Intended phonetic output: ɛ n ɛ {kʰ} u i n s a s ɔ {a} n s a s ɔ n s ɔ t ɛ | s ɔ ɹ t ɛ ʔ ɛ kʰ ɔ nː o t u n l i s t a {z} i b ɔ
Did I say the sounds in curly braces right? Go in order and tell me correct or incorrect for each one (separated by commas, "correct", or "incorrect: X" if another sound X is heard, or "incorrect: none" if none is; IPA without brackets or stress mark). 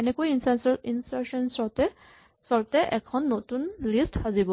incorrect: k, incorrect: i, correct